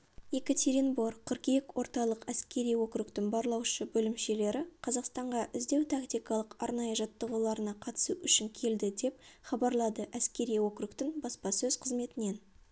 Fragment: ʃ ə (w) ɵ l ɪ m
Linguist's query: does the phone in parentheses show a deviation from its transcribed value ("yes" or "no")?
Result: yes